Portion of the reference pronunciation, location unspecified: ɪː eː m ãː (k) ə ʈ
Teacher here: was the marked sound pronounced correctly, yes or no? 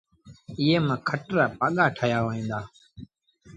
no